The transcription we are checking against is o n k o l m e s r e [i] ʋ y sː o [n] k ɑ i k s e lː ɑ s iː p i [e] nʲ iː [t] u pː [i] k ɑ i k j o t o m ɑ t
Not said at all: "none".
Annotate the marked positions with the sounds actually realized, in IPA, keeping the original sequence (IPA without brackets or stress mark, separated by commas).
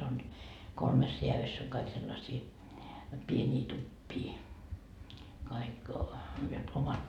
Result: æ, ŋ, e, t, iː